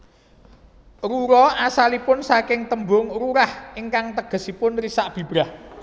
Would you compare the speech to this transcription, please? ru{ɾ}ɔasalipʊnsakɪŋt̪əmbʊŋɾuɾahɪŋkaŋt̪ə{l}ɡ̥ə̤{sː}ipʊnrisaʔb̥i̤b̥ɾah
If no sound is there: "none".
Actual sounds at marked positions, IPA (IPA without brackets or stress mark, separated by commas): ɾ, none, s